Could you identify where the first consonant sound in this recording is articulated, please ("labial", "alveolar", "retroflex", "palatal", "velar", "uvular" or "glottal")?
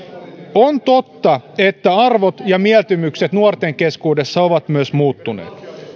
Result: alveolar